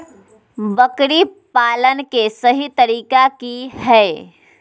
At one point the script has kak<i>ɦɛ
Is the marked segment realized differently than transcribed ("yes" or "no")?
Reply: no